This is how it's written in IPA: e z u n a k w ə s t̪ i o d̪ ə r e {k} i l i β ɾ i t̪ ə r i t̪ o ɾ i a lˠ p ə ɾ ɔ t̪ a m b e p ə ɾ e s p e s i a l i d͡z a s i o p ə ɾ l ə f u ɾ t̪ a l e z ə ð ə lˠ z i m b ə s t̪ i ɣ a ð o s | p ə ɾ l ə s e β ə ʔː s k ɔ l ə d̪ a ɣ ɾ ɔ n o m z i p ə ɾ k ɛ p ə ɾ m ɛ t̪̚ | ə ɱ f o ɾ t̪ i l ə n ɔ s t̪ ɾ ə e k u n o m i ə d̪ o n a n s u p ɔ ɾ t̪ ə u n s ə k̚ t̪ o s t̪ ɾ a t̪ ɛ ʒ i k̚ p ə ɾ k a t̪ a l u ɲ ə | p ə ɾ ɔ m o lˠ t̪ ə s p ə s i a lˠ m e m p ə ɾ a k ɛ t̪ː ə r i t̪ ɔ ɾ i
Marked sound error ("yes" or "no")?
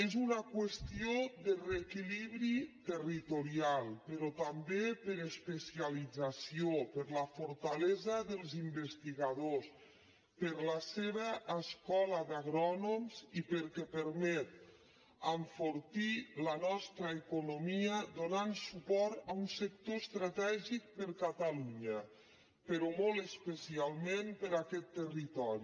no